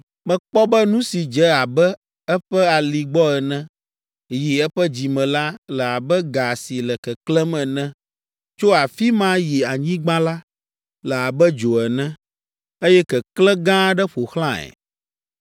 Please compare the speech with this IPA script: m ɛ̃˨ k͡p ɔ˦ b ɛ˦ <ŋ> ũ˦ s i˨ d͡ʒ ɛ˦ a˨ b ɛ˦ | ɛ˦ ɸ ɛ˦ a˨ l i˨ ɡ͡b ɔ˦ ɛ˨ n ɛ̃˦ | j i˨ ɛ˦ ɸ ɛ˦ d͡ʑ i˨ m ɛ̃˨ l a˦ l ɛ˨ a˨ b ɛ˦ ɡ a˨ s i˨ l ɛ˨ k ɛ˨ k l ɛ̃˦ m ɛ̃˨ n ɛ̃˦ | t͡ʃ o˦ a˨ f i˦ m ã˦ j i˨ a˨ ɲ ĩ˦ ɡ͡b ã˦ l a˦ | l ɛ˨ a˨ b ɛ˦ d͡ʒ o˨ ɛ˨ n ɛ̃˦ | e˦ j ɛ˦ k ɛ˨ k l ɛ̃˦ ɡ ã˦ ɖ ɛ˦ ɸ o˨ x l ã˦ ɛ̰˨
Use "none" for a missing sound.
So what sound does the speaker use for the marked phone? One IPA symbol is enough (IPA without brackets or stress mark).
n